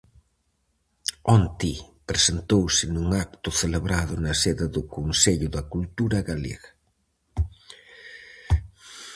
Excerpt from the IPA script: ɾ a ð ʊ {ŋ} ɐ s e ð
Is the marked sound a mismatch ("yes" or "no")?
yes